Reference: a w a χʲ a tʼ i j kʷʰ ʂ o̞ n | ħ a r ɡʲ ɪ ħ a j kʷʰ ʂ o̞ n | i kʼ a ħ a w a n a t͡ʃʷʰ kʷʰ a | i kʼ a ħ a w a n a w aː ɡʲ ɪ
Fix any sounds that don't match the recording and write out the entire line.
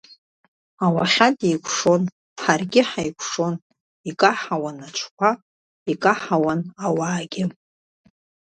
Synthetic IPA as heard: a w a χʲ a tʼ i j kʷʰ ʂ o̞ n | ħ a r ɡʲ ɪ ħ a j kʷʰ ʂ o̞ n | i kʼ a ħ a w a n a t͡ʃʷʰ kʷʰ a | i kʼ a ħ a w a n a w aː ɡʲ ɪ